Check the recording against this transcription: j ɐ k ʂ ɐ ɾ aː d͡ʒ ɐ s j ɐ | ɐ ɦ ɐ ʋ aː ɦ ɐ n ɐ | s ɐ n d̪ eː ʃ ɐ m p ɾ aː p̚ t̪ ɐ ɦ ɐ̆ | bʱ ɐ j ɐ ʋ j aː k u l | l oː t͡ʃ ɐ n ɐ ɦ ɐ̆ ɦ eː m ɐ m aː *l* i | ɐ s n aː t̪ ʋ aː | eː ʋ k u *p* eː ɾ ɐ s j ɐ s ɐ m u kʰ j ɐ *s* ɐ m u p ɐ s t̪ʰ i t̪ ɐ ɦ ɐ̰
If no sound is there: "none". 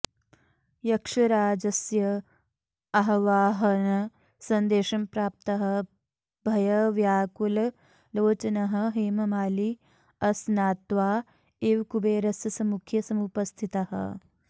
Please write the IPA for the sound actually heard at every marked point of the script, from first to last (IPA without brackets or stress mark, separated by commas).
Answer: l, b, s